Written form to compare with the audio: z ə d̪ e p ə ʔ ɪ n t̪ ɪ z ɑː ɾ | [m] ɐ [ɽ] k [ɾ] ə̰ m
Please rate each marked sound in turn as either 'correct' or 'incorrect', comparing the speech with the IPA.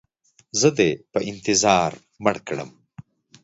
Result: correct, correct, incorrect

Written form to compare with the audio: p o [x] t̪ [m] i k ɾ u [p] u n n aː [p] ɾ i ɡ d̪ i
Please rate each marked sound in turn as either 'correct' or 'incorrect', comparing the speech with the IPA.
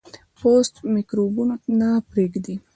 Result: incorrect, correct, incorrect, correct

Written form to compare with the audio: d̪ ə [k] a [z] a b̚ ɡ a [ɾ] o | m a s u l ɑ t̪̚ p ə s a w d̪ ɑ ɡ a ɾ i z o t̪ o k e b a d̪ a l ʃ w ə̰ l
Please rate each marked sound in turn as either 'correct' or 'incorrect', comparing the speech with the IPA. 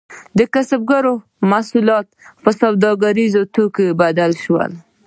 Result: correct, incorrect, correct

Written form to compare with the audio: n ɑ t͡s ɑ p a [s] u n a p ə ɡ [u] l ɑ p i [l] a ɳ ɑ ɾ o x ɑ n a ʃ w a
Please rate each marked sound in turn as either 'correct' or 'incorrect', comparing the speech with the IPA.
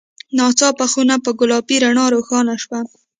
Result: incorrect, incorrect, incorrect

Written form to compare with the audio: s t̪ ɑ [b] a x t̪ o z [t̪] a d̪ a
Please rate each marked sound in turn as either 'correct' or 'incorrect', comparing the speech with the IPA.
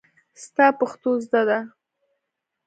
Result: incorrect, incorrect

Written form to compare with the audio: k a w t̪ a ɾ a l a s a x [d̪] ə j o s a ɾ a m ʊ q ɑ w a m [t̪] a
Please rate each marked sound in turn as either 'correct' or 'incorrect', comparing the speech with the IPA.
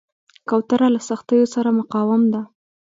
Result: incorrect, incorrect

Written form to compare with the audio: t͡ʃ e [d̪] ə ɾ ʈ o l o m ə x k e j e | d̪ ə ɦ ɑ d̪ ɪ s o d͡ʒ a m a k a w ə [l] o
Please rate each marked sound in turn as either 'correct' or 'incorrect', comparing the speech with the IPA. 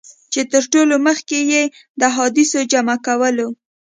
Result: incorrect, correct

